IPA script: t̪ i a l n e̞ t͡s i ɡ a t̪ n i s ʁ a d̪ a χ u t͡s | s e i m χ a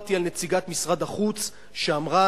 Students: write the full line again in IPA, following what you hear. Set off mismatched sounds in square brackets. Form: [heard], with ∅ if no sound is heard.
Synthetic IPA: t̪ i a l n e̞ t͡s i ɡ a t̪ [m] i s ʁ a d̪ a χ u t͡s | [ʃ] e [a] m [ʁ] a